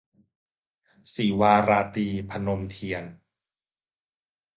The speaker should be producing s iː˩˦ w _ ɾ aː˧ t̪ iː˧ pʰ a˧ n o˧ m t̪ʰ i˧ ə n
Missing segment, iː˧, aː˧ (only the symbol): aː˧